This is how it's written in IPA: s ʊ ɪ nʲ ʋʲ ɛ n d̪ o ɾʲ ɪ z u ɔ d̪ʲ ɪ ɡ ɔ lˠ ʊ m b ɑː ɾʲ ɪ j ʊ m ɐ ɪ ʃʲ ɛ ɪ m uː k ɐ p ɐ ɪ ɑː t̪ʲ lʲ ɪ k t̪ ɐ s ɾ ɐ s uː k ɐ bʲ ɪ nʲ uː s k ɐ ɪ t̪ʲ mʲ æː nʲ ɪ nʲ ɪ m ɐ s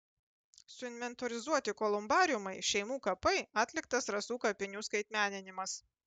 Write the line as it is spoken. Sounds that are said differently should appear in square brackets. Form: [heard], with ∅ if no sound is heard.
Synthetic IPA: s ʊ ɪ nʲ ʋʲ ɛ n [t̪] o ɾʲ ɪ z u ɔ [t̪ʲ] ɪ [k] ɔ lˠ ʊ m b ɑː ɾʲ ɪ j ʊ m ɐ ɪ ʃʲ ɛ ɪ m uː k ɐ p ɐ ɪ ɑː t̪ʲ lʲ ɪ k t̪ ɐ s ɾ ɐ s uː k ɐ [pʲ] ɪ nʲ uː s k ɐ ɪ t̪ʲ mʲ æː nʲ ɪ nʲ ɪ m ɐ s